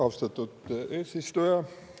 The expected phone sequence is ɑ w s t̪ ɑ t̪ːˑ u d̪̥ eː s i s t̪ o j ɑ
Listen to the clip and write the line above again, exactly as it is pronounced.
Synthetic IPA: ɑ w s t̪ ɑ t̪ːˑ u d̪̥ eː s i s t̪ u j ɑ